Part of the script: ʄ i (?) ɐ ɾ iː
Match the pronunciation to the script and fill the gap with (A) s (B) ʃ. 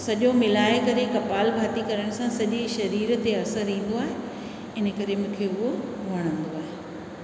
B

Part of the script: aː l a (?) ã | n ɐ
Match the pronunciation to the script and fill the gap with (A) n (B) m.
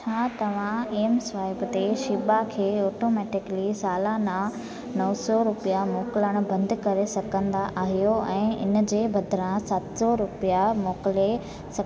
A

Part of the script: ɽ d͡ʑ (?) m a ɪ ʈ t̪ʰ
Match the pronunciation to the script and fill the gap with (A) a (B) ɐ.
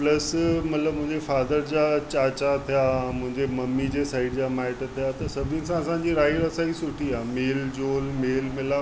A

